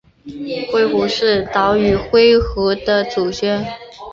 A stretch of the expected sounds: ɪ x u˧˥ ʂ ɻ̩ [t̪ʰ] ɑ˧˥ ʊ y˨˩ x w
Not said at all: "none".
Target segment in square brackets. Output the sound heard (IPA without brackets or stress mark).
t̪